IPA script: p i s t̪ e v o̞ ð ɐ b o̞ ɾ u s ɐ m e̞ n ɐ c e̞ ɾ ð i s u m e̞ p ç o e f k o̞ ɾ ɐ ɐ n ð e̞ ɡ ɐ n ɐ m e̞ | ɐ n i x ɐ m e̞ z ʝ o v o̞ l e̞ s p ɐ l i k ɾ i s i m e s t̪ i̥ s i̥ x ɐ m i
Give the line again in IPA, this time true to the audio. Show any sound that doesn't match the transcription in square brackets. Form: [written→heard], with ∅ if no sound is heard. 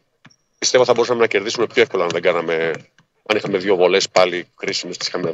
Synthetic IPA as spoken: p i s t̪ e v o̞ [ð→θ] ɐ b o̞ ɾ u s ɐ m e̞ n ɐ c e̞ ɾ ð i s u m e̞ p ç o e f k o̞ [ɾ→l] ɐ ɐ n ð e̞ ɡ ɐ n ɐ m e̞ | ɐ n i x ɐ m e̞ [z→ð] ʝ o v o̞ l e̞ s p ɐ l i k ɾ i s i m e s t̪ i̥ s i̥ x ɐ m [i→e]